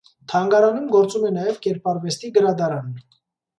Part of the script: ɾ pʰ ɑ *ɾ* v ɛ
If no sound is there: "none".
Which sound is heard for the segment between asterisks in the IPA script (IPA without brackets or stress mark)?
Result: ɾ